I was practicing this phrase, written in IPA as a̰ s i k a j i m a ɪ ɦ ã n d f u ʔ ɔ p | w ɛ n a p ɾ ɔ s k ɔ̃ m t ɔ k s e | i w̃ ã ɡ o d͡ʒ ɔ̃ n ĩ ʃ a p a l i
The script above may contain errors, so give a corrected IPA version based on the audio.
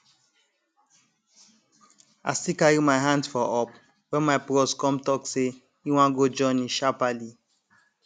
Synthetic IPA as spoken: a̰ s i k a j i m a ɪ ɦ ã n d f ɔ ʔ ɔ p | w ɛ m a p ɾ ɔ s k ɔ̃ m t ɔ k s e | i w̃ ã ɡ o d͡ʒ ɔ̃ n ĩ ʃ a p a l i

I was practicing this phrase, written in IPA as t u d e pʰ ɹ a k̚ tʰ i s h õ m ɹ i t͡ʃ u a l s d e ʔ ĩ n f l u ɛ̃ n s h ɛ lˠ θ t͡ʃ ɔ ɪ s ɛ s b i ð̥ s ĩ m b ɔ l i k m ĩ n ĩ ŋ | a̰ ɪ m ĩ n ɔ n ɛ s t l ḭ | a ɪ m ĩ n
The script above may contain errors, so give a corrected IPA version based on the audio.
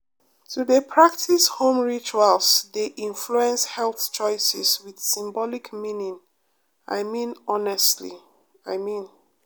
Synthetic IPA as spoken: t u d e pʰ ɹ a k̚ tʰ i s h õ m ɹ i t͡ʃ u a l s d e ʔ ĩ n f l u ɛ̃ n s h ɛ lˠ θ t͡ʃ ɔ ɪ s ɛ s w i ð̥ s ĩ m b ɔ l i k m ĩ n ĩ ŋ | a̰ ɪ m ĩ n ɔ n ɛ s t l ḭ | a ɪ m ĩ n

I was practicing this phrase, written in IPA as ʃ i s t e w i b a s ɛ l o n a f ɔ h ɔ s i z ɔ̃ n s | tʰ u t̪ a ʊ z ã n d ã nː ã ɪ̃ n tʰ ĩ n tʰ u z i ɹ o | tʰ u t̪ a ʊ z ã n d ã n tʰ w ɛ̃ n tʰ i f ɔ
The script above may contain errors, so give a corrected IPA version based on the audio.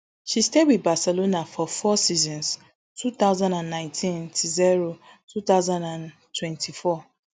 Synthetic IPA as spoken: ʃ i s t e w i b a s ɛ l o n a f ɔ f ɔ s i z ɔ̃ n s | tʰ u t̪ a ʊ z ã n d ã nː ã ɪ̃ n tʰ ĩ n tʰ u z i ɹ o | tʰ u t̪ a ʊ z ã n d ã n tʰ w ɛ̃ n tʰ i f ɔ

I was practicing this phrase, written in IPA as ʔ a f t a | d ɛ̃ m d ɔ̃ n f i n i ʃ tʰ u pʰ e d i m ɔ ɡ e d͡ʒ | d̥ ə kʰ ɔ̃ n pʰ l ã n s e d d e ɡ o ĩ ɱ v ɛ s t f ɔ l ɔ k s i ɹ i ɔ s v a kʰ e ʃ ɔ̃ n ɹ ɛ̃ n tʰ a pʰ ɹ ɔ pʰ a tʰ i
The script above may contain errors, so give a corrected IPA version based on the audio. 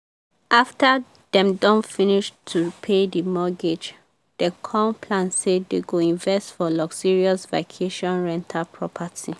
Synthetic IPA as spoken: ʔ a f t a | d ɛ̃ m d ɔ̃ n f i n i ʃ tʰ u pʰ e d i m ɔ ɡ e d͡ʒ | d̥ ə kʰ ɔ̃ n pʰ l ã n s e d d e ɡ o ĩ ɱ v ɛ s t f ɔ l ɔ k s i ɹ i ɔ s v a kʰ e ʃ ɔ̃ n ɹ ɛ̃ n tʰ a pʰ ɹ ɔ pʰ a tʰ i

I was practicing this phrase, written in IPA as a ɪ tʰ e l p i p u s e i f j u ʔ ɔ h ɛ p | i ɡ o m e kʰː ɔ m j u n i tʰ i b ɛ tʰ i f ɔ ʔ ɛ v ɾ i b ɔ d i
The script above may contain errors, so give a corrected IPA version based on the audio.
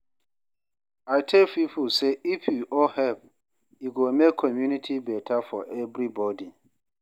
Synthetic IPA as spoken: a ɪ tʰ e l p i p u s e i f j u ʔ ɔ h ɛ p | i ɡ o m e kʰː ɔ m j u n i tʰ i b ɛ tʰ a f ɔ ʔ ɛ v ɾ i b ɔ d i

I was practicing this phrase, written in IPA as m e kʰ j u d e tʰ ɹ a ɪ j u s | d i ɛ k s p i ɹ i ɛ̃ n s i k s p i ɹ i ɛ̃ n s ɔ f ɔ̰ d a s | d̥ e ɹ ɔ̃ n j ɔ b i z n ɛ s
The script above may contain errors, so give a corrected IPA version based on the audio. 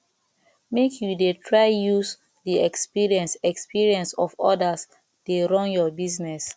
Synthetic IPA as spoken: m e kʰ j u d e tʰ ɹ a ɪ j u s | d i ɛ k s p i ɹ i ɛ̃ n s ɛ k s p i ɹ i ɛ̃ n s ɔ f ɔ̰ d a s | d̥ e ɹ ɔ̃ n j ɔ b i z n ɛ s

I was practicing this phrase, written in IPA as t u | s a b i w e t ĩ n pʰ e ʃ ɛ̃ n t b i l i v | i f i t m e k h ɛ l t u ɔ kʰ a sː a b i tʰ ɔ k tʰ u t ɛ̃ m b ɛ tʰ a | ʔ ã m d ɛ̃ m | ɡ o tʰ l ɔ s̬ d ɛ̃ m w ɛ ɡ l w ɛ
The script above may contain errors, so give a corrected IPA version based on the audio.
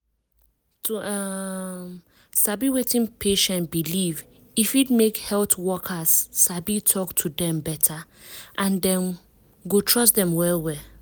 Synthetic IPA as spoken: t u | s a b i w e t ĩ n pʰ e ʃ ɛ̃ n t b i l i v | i f i t m e k h ɛ l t w ɔ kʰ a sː a b i tʰ ɔ k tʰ u d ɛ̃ m b ɛ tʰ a | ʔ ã n d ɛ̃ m | ɡ o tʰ ɹ ɔ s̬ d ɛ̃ m w ɛ l w ɛ

